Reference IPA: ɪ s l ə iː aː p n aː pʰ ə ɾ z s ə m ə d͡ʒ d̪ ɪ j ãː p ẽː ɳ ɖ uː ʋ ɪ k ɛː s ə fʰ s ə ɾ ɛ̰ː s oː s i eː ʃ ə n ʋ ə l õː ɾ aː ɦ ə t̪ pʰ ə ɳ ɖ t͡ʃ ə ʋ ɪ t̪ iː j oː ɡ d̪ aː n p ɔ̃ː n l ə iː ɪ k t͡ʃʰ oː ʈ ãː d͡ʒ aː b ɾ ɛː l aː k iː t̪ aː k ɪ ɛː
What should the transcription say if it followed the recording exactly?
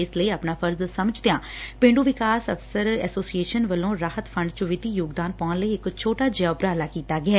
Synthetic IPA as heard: ɪ s l ə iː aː p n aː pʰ ə ɾ z s ə m ə d͡ʒ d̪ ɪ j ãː p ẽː ɳ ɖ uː ʋ ɪ k aː s ə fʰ s ə ɾ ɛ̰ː s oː s i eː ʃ ə n ʋ ə l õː ɾ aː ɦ ə t̪ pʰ ə ɳ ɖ t͡ʃ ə ʋ ɪ t̪ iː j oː ɡ d̪ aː n p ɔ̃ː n l ə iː ɪ k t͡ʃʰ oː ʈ aː d͡ʒ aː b ɾ aː l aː k iː t̪ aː ɡ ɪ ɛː